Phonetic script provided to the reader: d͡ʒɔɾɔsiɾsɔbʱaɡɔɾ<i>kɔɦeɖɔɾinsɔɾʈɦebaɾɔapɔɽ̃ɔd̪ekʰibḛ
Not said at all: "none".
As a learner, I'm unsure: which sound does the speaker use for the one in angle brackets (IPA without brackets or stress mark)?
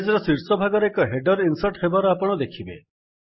e